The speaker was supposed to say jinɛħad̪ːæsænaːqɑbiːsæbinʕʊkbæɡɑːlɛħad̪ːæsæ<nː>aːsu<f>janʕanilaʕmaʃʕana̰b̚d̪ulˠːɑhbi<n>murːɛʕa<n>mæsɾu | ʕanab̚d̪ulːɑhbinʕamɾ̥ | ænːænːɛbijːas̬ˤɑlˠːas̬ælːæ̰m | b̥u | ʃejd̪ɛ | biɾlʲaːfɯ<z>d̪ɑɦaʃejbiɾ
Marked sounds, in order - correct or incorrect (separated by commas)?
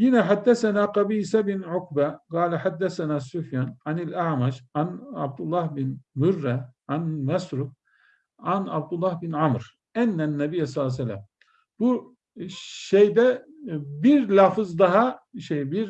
incorrect, correct, correct, correct, correct